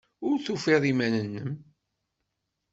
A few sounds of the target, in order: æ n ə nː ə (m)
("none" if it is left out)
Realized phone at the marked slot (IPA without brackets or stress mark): m